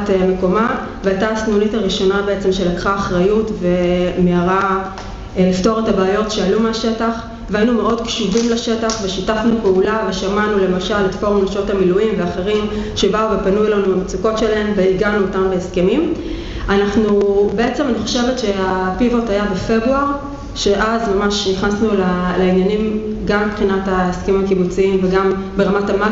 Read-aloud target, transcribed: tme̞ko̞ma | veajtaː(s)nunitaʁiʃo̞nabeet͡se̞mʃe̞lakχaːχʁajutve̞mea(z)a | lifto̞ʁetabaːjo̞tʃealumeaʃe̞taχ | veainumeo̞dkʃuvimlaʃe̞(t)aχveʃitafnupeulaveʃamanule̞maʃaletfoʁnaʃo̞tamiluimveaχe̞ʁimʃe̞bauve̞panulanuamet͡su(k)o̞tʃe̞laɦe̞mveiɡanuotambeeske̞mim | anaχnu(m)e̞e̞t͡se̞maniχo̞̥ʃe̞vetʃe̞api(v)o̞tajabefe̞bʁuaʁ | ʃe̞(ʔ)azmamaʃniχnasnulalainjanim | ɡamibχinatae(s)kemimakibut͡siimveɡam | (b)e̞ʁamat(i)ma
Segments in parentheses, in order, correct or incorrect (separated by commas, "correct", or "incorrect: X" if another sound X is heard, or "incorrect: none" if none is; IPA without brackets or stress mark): correct, incorrect: ʁ, correct, correct, incorrect: b, correct, correct, correct, correct, incorrect: a